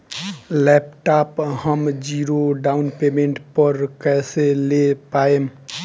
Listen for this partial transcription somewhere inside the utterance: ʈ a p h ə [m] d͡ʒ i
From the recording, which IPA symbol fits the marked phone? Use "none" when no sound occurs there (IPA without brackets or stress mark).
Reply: m